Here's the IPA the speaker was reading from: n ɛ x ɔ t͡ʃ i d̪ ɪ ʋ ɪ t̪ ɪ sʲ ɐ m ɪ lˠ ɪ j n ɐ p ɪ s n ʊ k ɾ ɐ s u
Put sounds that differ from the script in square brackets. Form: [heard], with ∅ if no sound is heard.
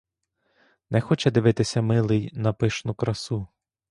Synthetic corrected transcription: n ɛ x ɔ t͡ʃ [ɛ] d̪ ɪ ʋ ɪ t̪ ɪ sʲ ɐ m ɪ lˠ ɪ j n ɐ p ɪ [ʃ] n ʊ k ɾ ɐ s u